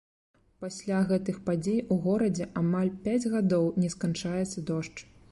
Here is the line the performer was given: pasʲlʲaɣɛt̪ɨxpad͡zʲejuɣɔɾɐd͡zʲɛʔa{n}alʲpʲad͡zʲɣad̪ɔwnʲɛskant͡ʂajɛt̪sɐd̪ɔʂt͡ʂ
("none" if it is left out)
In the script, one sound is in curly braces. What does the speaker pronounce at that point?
m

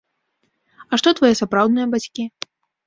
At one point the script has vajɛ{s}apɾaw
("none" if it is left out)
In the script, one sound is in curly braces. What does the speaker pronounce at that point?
s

